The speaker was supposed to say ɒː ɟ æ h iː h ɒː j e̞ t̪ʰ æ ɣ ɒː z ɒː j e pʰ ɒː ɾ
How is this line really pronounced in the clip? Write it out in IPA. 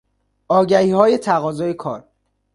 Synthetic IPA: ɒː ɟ æ h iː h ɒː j e̞ t̪ʰ æ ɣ ɒː z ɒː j e kʰ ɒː ɾ